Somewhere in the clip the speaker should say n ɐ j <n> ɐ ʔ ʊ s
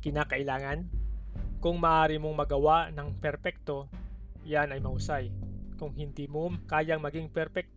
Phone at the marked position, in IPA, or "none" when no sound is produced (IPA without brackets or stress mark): m